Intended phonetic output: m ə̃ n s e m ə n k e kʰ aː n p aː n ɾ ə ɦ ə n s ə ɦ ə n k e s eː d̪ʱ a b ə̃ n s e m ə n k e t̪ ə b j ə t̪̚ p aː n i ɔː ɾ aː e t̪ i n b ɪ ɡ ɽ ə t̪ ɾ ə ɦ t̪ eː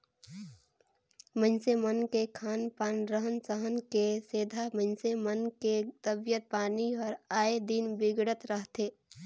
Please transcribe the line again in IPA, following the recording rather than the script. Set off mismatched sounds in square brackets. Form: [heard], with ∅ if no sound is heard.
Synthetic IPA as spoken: m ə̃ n s e m ə n k e kʰ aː n p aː n ɾ ə ɦ ə n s ə ɦ ə n k e s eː d̪ʱ a [m] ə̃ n s e m ə n k e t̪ ə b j ə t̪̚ p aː n i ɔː ɾ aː e [d̪] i n b ɪ ɡ ɽ ə t̪ ɾ ə ɦ t̪ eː